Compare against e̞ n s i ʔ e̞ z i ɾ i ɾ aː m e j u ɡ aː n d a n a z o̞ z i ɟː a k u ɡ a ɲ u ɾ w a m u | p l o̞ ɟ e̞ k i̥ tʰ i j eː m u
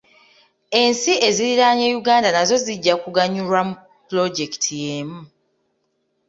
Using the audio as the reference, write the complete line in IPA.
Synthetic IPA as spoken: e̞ n s i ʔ e̞ z i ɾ i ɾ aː ɲ e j u ɡ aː n d a n a z o̞ z i ɟː a k u ɡ a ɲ u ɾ w a m u | p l o̞ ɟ e̞ k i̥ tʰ i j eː m u